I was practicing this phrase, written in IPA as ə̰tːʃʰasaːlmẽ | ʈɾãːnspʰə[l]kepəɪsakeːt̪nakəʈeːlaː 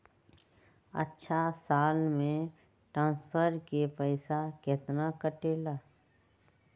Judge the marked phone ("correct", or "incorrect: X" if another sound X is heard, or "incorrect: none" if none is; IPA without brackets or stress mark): incorrect: ɾ